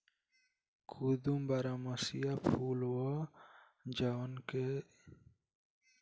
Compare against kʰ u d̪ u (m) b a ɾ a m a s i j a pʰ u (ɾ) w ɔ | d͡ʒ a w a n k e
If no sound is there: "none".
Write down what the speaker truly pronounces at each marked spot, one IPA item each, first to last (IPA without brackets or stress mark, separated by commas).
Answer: m, l